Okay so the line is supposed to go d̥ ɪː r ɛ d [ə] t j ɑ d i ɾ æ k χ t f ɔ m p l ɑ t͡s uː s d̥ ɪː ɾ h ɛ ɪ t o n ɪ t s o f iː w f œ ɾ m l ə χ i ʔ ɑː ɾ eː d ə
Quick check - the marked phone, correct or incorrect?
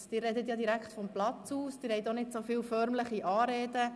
correct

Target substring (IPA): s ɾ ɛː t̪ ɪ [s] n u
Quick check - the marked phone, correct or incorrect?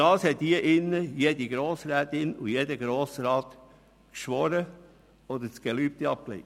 incorrect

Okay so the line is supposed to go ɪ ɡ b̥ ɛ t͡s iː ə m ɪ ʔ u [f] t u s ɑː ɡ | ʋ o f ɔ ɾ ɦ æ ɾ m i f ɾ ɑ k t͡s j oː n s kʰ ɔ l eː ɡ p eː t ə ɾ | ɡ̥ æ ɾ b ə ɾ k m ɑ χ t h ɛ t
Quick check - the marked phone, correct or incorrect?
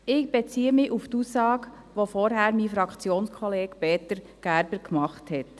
correct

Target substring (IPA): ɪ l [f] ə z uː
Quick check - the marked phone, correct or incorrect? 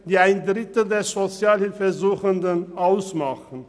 correct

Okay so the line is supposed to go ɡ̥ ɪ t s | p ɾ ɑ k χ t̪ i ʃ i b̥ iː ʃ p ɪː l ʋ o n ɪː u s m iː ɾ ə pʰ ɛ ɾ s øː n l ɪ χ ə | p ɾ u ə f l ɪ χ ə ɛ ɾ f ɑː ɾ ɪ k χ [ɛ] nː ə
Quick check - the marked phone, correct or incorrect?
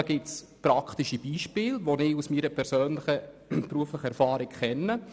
correct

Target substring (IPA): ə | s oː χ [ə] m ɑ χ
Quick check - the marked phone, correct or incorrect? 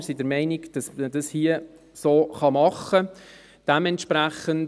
incorrect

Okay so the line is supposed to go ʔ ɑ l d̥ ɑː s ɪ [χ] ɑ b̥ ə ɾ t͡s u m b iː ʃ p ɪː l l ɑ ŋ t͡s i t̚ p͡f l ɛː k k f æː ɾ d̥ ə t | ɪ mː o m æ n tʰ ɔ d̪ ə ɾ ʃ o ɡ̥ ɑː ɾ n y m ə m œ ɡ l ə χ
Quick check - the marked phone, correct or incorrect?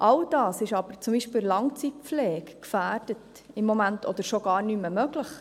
incorrect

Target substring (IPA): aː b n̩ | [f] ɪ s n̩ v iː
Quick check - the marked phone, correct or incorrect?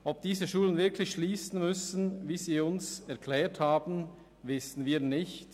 incorrect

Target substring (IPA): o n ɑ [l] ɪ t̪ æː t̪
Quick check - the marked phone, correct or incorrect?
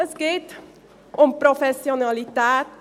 correct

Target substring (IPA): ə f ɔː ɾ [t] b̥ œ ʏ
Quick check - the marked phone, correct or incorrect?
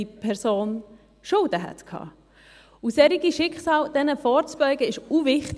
incorrect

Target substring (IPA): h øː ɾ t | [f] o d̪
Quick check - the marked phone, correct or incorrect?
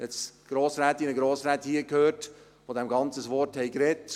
correct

